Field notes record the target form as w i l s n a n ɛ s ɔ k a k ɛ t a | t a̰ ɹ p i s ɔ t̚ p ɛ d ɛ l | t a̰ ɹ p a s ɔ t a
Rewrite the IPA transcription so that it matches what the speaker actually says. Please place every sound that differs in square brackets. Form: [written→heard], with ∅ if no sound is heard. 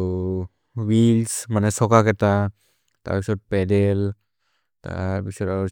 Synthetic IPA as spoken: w i l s [n→m] a n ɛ s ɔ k a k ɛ t a | t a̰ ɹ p i s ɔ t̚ p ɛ d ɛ l | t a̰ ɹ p [a→i] s ɔ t a